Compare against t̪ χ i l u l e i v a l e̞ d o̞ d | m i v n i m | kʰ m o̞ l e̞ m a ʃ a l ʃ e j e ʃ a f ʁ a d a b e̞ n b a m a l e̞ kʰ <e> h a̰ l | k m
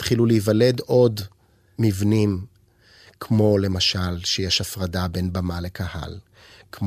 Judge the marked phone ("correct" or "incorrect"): incorrect